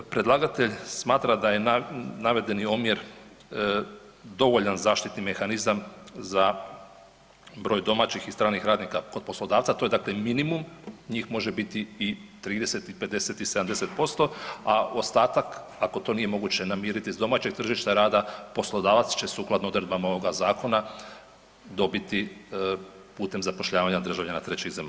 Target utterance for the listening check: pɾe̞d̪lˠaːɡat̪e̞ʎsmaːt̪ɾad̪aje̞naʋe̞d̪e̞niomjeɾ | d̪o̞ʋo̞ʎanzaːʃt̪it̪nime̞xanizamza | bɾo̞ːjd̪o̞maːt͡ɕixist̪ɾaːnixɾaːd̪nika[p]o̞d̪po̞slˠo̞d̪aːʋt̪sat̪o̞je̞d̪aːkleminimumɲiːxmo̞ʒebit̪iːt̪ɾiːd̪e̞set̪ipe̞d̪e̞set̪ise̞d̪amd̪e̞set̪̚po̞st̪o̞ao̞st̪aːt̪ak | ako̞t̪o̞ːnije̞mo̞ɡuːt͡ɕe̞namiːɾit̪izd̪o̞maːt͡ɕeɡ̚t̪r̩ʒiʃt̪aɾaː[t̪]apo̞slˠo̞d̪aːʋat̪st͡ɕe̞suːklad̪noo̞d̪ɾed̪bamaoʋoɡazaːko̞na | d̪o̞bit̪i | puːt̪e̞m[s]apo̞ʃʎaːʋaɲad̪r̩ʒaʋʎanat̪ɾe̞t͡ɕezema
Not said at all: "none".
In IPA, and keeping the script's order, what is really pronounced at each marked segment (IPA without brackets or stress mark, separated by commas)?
k, d̪, z